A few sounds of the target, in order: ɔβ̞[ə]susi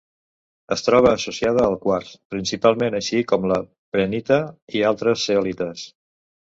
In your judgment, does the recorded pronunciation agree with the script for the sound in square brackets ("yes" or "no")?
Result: no